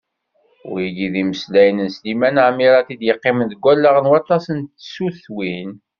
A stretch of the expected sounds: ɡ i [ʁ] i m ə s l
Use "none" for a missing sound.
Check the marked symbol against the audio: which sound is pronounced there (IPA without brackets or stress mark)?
ð